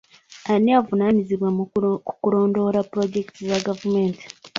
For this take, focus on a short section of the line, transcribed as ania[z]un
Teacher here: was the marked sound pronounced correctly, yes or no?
no